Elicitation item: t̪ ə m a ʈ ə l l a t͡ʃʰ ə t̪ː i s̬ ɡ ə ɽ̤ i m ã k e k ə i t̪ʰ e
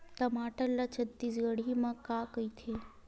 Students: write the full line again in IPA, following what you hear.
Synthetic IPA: t̪ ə m a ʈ ə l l a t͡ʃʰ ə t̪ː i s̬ ɡ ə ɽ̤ i m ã k a k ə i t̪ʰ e